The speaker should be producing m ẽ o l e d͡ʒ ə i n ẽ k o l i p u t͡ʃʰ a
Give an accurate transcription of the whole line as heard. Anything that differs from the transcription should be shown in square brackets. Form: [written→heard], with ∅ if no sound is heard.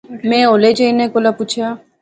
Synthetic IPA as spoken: m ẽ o l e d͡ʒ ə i n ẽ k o l [i→a] p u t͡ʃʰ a